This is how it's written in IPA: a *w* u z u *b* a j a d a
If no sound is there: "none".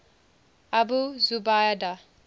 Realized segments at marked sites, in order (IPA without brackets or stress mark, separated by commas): b, b